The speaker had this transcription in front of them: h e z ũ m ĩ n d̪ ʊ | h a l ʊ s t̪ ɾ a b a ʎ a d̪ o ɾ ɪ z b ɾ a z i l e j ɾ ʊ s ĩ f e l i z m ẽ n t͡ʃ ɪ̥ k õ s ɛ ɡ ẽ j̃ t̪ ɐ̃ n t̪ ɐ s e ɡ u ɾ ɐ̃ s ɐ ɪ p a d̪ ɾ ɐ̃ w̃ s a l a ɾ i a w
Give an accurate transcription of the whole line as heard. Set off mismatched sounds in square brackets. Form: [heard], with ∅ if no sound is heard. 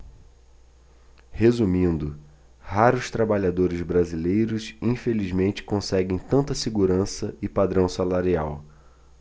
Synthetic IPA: h e z [u] m ĩ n d̪ ʊ | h a [ɾ] ʊ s t̪ ɾ a b a ʎ a d̪ o ɾ ɪ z b ɾ a z i l e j ɾ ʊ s ĩ f e l i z m ẽ n t͡ʃ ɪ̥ k õ s ɛ ɡ ẽ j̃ t̪ ɐ̃ n t̪ ɐ s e ɡ u ɾ ɐ̃ s ɐ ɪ p a d̪ ɾ ɐ̃ w̃ s a l a ɾ i a w